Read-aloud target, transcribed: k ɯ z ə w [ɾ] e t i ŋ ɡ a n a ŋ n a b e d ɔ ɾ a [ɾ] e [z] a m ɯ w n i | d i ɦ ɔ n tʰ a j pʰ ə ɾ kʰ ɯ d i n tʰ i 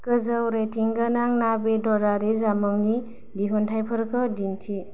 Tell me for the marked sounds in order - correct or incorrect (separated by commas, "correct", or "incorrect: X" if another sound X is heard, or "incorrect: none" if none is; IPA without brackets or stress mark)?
correct, correct, correct